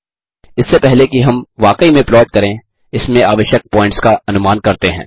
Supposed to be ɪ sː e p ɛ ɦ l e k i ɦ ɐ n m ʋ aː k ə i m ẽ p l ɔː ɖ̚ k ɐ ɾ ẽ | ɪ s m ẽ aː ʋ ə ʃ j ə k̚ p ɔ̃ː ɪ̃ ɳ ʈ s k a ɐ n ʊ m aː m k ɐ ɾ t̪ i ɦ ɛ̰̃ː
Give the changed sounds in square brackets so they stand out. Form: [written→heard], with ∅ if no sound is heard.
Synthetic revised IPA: ɪ sː e p ɛ ɦ l e k i ɦ ɐ [n→∅] m ʋ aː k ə i m ẽ p l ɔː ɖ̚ k ɐ ɾ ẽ | ɪ s m ẽ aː ʋ ə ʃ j ə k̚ p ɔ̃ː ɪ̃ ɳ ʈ s k a ɐ n ʊ m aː [m→n] k ɐ ɾ t̪ [i→e] ɦ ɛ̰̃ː